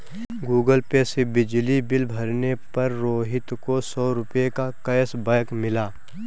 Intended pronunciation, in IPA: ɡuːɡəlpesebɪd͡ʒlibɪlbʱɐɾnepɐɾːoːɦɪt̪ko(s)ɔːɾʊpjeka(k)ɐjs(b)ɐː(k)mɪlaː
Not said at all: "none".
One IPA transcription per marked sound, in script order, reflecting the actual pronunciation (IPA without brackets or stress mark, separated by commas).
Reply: s, k, b, k